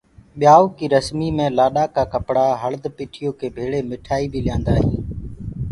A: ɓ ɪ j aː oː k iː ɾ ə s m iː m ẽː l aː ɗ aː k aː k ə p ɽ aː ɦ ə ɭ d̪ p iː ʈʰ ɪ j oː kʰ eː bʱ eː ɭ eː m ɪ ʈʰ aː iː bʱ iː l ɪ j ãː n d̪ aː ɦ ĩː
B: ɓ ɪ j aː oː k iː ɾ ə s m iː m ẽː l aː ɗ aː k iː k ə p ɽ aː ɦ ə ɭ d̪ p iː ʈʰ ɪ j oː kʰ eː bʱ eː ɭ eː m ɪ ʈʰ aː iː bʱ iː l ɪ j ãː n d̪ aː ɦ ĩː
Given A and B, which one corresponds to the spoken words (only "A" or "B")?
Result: A